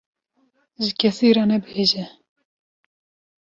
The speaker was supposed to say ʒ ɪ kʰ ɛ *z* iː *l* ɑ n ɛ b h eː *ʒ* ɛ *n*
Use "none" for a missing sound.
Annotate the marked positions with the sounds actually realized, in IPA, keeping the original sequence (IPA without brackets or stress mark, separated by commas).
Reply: s, ɾ, ʒ, none